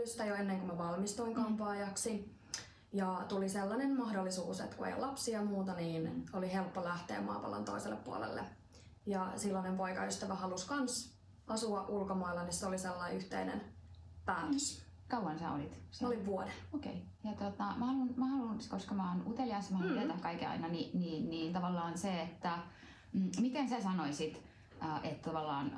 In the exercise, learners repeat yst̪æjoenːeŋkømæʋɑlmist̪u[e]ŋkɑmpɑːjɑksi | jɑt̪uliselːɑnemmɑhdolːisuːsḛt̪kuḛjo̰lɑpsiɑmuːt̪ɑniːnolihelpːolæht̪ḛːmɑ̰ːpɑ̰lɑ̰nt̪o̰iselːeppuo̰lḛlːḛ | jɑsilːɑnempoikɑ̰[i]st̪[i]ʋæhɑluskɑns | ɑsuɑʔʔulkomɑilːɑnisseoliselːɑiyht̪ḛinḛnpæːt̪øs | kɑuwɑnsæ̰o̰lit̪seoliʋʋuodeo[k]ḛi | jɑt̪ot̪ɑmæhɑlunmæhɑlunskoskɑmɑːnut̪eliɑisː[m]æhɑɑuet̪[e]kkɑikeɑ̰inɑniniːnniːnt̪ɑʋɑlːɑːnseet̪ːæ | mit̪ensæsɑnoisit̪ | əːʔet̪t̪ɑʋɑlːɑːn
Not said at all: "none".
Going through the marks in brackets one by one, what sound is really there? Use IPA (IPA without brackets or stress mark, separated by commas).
i, y, æ, k, m, æ